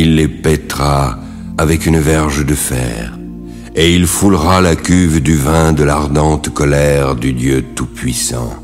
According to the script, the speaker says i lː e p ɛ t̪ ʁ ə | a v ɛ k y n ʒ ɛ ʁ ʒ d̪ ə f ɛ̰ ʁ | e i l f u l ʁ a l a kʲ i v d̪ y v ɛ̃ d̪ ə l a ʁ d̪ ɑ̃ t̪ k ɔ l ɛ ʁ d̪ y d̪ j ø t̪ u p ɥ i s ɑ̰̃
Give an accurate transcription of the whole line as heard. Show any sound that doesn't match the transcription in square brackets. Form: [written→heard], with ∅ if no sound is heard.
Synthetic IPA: i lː e p ɛ t̪ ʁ [ə→a] | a v ɛ k y n [ʒ→v] ɛ ʁ ʒ d̪ ə f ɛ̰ ʁ | e i l f u l ʁ a l a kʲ [i→y] v d̪ y v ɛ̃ d̪ ə l a ʁ d̪ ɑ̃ t̪ k ɔ l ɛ ʁ d̪ y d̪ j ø t̪ u p ɥ i s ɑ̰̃